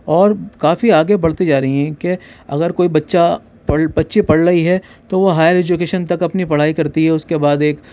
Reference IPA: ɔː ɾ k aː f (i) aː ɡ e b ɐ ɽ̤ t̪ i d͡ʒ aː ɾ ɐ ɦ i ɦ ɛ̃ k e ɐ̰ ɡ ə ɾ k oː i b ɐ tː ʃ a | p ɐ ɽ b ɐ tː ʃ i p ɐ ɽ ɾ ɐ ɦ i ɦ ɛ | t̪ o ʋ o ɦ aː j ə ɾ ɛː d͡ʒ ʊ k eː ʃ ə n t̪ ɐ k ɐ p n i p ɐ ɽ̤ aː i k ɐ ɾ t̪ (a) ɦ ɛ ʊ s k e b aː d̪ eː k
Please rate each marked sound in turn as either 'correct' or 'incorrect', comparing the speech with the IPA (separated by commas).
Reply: correct, incorrect